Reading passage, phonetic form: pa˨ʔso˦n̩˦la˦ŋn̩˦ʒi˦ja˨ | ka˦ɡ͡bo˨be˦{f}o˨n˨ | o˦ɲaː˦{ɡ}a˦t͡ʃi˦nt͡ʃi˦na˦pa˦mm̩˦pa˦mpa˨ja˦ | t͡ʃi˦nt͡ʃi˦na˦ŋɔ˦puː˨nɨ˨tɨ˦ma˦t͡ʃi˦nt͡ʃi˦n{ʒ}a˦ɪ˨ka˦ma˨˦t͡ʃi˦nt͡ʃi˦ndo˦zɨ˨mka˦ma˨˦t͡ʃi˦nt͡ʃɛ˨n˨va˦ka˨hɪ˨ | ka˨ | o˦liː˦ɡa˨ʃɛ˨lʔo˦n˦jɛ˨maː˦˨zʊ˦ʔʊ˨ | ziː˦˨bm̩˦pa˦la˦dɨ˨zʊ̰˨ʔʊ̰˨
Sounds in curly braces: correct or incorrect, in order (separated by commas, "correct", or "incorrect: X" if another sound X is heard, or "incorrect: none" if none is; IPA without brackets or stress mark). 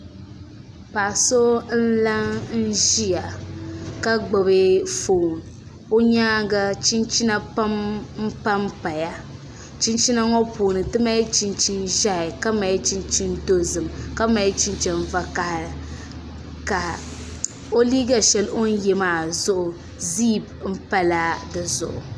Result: correct, correct, correct